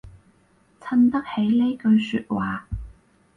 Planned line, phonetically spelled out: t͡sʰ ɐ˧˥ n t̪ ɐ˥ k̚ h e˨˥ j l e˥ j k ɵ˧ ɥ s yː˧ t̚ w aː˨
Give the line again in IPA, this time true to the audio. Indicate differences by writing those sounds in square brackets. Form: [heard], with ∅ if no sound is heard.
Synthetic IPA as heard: t͡sʰ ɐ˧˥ n t̪ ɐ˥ k̚ h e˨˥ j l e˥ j k ɵ˧ ɥ s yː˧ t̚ w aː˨